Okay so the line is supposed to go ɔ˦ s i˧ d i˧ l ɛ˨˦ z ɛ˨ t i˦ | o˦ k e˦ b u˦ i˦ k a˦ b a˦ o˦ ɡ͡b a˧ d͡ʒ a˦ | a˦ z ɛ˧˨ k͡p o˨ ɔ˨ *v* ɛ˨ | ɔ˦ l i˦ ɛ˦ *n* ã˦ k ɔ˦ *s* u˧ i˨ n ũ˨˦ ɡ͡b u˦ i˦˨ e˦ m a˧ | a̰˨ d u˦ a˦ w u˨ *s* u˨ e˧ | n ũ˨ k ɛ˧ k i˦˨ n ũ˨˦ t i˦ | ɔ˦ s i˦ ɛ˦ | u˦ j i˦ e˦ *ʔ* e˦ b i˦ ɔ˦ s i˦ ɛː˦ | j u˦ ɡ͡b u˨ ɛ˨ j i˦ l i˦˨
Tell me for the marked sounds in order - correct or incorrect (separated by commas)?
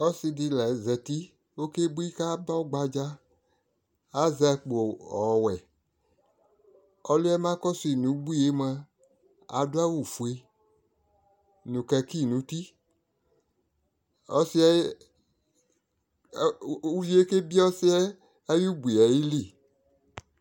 incorrect, incorrect, correct, incorrect, incorrect